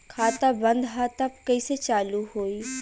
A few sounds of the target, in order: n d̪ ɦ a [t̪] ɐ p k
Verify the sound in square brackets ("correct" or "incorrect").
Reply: correct